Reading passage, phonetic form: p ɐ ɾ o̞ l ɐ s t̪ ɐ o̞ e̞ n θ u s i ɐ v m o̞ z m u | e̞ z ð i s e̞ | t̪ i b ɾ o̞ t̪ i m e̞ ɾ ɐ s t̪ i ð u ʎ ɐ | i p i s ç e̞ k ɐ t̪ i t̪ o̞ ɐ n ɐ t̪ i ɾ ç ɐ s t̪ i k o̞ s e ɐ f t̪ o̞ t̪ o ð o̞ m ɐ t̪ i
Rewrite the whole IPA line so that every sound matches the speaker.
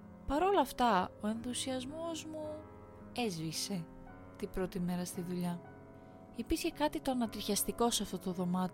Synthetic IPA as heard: p ɐ ɾ o̞ l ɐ f t̪ ɐ o̞ e̞ n θ u s i ɐ z m o̞ z m u | e̞ z v i s e̞ | t̪ i b ɾ o̞ t̪ i m e̞ ɾ ɐ s t̪ i ð u ʎ ɐ | i p i s ç e̞ k ɐ t̪ i t̪ o̞ ɐ n ɐ t̪ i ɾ ç ɐ s t̪ i k o̞ s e ɐ f t̪ o̞ t̪ o ð o̞ m ɐ t̪ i